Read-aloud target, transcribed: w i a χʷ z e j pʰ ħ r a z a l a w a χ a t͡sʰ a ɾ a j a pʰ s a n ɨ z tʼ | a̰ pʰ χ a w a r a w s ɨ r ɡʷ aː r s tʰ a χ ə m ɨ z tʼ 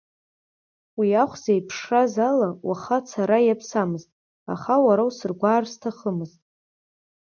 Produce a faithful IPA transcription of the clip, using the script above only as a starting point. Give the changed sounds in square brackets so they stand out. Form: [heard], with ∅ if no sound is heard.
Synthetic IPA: w i a χʷ z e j pʰ [ʂ] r a z a l a w a χ a t͡sʰ a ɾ a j a pʰ s a [m] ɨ z tʼ | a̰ [∅] χ a w a [ɾ] a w s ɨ r ɡʷ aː r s tʰ a χ ə m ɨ z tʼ